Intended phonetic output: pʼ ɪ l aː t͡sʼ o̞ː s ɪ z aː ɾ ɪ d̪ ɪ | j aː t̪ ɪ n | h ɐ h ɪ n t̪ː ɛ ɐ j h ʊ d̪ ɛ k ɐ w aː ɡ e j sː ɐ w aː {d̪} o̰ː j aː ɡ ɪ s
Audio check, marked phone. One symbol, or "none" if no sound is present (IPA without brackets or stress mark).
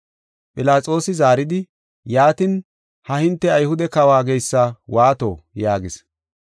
t̪